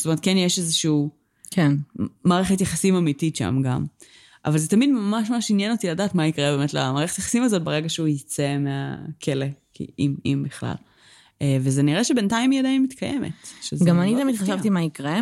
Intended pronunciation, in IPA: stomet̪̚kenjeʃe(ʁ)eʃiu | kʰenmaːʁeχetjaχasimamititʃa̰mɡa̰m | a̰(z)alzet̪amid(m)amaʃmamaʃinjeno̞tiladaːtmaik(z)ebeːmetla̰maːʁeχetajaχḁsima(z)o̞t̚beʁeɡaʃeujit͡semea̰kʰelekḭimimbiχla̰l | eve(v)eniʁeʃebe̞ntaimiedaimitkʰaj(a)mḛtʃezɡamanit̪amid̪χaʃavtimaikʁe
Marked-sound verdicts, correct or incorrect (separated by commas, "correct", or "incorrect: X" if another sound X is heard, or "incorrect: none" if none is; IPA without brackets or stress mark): incorrect: z, incorrect: v, correct, incorrect: ʁ, correct, incorrect: z, incorrect: e